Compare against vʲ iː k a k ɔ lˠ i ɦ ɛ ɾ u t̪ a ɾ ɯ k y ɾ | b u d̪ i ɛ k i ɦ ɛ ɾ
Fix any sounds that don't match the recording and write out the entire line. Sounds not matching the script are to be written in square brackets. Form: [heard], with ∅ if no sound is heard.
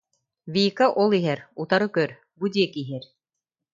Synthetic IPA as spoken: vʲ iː k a [ʔ] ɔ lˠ i ɦ ɛ ɾ u t̪ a ɾ ɯ k [œ] ɾ | b u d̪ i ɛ k i ɦ ɛ ɾ

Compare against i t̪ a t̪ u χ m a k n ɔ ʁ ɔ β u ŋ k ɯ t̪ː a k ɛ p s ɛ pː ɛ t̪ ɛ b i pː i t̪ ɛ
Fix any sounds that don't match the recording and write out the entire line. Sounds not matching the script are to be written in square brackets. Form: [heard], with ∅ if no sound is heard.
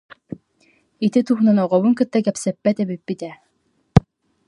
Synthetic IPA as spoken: i t̪ [i] t̪ u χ [n] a [∅] n ɔ ʁ ɔ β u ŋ k ɯ t̪ː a k ɛ p s ɛ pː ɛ t̪ ɛ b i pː i t̪ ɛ

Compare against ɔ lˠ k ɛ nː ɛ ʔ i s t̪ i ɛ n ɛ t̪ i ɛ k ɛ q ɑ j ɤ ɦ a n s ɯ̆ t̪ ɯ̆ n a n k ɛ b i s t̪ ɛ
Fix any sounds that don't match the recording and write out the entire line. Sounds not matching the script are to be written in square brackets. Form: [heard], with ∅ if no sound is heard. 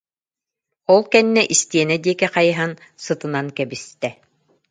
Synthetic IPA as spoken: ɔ lˠ k ɛ nː ɛ ʔ i s t̪ i ɛ n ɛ [d̪] i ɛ k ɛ q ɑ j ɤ ɦ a n s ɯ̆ t̪ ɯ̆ n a n k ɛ b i s t̪ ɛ

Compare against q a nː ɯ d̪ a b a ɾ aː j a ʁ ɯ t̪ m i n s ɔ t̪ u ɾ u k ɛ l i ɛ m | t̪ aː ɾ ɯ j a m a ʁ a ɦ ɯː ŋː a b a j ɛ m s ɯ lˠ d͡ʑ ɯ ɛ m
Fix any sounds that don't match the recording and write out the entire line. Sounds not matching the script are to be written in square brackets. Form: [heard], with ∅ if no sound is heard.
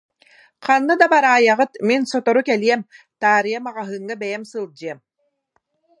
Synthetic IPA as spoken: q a nː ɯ d̪ a b a ɾ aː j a ʁ ɯ t̪ m i n s ɔ t̪ [ɔ] ɾ u k ɛ l i ɛ m | t̪ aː ɾ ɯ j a m a ʁ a ɦ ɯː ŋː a b [ɛ] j ɛ m s ɯ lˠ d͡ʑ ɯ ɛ m

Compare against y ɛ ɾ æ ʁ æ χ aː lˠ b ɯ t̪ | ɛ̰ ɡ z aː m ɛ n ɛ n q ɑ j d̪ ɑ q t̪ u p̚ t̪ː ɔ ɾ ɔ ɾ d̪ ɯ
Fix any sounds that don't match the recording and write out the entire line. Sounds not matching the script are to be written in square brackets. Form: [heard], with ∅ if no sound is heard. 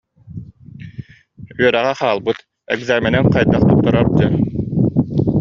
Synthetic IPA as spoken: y [œ] ɾ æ ʁ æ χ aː lˠ b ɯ t̪ | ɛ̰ ɡ z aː m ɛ n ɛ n q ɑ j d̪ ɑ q t̪ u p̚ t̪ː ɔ ɾ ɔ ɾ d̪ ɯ

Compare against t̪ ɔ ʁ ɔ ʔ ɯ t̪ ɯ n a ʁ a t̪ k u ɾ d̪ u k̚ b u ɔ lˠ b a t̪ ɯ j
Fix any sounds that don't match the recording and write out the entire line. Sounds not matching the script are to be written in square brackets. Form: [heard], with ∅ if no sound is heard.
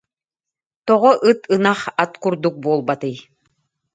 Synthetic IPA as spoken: t̪ ɔ ʁ ɔ ʔ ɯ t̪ ɯ n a [χ] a t̪ k u ɾ d̪ u k̚ b u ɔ lˠ b a t̪ ɯ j

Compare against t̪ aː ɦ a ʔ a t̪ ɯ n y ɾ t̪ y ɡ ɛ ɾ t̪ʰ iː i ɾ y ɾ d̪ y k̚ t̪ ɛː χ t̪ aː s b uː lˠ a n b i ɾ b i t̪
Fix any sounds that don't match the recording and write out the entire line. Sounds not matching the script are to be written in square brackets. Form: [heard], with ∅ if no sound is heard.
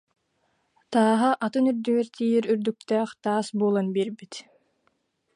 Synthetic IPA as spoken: t̪ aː ɦ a ʔ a t̪ ɯ n y ɾ [d̪] y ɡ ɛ ɾ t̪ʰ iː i ɾ y ɾ d̪ y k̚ t̪ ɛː χ t̪ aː s b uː lˠ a n b i ɾ b i t̪

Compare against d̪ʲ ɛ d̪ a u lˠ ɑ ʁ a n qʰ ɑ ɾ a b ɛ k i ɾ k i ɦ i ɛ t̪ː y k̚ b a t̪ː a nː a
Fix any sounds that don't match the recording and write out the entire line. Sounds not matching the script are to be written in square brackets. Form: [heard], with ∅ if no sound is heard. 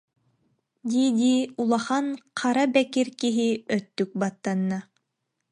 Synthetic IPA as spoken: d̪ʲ [i] d̪ [i] u lˠ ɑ [χ] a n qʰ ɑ ɾ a b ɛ k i ɾ k i ɦ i [œ] t̪ː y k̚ b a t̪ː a nː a

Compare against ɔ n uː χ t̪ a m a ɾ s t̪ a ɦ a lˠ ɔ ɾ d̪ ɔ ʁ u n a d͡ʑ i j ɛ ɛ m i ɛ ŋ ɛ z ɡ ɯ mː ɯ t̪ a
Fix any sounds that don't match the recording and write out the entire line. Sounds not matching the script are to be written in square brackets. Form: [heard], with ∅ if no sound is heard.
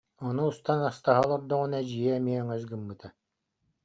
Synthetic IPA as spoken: ɔ n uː [s] t̪ a [n] a [∅] s t̪ a ɦ a lˠ ɔ ɾ d̪ ɔ ʁ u n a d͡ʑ i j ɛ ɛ m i ɛ ŋ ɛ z ɡ ɯ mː ɯ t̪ a

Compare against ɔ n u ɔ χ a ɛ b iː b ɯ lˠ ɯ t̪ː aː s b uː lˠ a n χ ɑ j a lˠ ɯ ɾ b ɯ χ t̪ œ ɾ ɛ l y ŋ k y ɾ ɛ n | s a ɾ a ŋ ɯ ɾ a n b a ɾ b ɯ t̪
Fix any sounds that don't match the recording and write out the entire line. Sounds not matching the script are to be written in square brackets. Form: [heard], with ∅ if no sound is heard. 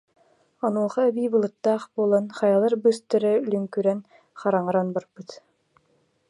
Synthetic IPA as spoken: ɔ n u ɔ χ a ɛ b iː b ɯ lˠ ɯ t̪ː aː [χ] b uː lˠ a n χ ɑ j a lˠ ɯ ɾ b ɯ [s] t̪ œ ɾ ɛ l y ŋ k y ɾ ɛ n | [χ] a ɾ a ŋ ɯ ɾ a n b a ɾ b ɯ t̪

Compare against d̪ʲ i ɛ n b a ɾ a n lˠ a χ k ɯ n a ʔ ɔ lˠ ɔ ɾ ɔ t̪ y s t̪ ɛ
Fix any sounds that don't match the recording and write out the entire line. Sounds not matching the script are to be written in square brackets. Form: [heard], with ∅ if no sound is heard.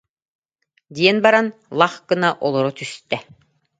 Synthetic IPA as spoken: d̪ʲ i ɛ n b a ɾ a n lˠ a χ k ɯ n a ʔ ɔ lˠ ɔ ɾ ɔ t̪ y s t̪ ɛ

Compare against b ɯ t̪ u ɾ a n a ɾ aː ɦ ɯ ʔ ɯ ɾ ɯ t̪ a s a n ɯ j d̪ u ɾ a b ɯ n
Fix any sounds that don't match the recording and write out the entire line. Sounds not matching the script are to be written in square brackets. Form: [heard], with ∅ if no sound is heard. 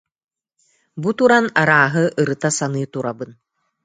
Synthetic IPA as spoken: b [u] t̪ u ɾ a n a ɾ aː ɦ ɯ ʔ ɯ ɾ ɯ t̪ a s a n ɯ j [t̪] u ɾ a b ɯ n

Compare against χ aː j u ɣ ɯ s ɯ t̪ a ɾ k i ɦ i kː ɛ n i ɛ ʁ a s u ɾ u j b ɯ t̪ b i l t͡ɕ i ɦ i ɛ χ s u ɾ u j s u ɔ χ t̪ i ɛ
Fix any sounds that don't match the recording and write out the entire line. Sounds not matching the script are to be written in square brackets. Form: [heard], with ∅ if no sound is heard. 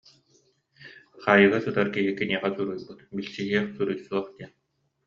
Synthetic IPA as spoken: χ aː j [ɯ] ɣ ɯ s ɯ t̪ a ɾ k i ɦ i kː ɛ n i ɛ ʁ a s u ɾ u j b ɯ t̪ b i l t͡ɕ i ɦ i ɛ χ s u ɾ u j s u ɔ χ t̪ i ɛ

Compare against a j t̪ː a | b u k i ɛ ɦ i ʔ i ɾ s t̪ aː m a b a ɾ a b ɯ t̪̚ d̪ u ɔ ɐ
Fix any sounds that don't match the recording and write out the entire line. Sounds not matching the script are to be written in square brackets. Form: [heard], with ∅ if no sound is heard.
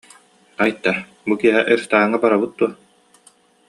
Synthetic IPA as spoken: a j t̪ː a | b u k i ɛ ɦ [ɛ] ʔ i ɾ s t̪ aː [ŋ] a b a ɾ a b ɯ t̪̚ d̪ u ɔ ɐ

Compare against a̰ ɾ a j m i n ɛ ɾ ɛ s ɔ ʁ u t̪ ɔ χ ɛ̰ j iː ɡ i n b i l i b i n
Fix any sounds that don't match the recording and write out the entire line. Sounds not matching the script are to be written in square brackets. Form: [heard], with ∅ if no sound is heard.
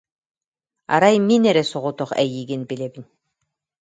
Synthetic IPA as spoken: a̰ ɾ a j m i n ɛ ɾ ɛ s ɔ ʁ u t̪ ɔ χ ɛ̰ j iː ɡ i n b i l [ɛ] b i n

